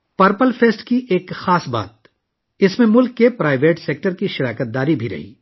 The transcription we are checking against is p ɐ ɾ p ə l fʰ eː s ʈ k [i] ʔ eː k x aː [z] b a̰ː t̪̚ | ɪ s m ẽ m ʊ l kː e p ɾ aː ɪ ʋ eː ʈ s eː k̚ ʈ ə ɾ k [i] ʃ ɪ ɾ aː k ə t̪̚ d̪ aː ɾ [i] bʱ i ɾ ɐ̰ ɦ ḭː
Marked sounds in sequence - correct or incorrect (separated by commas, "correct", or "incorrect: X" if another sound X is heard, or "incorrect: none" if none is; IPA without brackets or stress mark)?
correct, incorrect: s, correct, correct